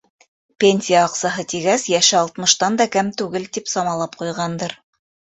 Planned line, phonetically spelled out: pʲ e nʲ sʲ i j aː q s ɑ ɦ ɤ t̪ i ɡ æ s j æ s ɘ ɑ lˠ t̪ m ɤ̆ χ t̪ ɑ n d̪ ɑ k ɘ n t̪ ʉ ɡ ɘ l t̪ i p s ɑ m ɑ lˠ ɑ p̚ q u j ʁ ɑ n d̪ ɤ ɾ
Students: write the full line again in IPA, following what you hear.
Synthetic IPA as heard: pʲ e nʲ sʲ i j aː q s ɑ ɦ ɤ t̪ i ɡ æ s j æ ʃ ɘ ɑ lˠ t̪ m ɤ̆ ʃ t̪ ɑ n d̪ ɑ k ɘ m t̪ ʉ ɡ ɘ l t̪ i p s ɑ m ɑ lˠ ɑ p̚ q u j ʁ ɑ n d̪ ɤ ɾ

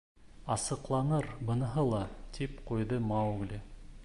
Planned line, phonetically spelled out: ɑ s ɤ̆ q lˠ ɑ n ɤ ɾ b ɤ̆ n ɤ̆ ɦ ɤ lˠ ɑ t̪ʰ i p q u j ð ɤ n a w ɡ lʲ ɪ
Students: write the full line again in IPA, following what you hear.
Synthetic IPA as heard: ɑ s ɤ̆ q lˠ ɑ n ɤ ɾ b ɤ̆ n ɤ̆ ɦ ɤ lˠ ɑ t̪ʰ i p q u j ð ɤ m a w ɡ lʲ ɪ

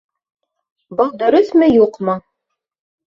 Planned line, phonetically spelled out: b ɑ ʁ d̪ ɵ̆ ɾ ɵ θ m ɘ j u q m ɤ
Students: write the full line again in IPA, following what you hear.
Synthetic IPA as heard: b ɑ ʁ d̪ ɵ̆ ɾ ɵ θ m ɘ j u q m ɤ

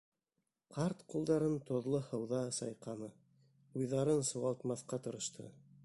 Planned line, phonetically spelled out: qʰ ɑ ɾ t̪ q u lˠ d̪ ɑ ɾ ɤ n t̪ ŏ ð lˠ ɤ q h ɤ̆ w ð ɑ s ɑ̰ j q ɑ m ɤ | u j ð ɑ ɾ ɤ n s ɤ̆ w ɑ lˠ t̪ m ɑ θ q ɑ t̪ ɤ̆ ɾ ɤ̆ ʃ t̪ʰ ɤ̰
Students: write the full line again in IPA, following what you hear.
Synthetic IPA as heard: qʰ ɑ ɾ t̪ q u lˠ d̪ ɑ ɾ ɤ n t̪ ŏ ð lˠ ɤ h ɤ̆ w ð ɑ s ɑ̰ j q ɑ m ɤ | u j ð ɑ ɾ ɤ n s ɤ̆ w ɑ lˠ t̪ m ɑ θ q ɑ t̪ ɤ̆ ɾ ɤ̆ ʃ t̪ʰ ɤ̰

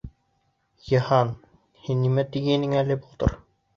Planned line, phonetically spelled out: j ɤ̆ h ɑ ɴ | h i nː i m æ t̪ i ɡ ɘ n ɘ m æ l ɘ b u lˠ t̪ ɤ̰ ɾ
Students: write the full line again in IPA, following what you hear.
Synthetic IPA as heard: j ɤ̆ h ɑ n | h i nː i m æ t̪ i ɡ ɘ n ɘ ŋ æ l ɘ b u lˠ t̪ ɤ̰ ɾ

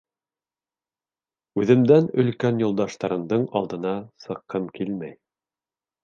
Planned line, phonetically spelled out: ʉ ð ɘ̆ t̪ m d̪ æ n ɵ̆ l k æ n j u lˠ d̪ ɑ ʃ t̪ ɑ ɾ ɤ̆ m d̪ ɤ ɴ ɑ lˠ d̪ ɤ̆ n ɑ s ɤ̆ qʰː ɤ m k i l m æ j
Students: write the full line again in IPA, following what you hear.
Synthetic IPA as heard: ʉ ð ɘ̆ m d̪ æ n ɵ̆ l k æ n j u lˠ d̪ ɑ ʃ t̪ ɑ ɾ ɤ̆ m d̪ ɤ ɴ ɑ lˠ d̪ ɤ̆ n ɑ s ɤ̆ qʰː ɤ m k i l m æ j

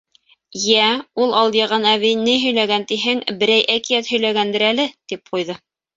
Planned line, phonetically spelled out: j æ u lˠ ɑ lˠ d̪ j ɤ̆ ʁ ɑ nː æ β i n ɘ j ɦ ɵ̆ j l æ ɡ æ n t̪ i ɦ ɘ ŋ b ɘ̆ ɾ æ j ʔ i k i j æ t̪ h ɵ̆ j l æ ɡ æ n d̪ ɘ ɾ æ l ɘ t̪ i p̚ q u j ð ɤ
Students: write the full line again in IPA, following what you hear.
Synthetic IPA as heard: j æ u lˠ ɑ lˠ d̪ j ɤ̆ ʁ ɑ n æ β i n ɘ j ɦ ɵ̆ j l æ ɡ æ n t̪ i ɦ ɘ ŋ b ɘ̆ ɾ æ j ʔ æ k i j æ t̪ h ɵ̆ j l æ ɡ æ n d̪ ɘ ɾ æ l ɘ t̪ i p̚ q u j ð ɤ

